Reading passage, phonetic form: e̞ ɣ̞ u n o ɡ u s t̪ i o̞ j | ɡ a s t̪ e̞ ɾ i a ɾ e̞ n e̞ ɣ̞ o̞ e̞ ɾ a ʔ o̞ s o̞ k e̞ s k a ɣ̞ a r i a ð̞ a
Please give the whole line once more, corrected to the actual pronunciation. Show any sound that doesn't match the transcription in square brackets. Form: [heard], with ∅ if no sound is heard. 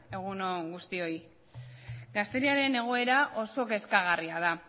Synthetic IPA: e̞ ɣ̞ u n o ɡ u s t̪ i o̞ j | ɡ a s t̪ e̞ ɾ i a ɾ e̞ n e̞ ɣ̞ o̞ e̞ ɾ a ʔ o̞ s o̞ k e̞ s k a ɣ̞ a r i a ð̞ a